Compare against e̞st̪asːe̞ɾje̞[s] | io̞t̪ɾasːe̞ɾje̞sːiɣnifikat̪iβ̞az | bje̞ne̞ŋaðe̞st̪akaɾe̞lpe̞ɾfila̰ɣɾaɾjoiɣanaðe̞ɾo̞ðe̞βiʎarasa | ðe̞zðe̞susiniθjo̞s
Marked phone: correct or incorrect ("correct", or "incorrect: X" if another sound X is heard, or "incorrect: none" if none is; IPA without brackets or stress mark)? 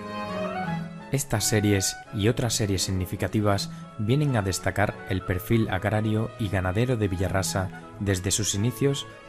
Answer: correct